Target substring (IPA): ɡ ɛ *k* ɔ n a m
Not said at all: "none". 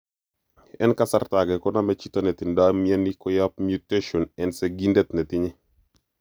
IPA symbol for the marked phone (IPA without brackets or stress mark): k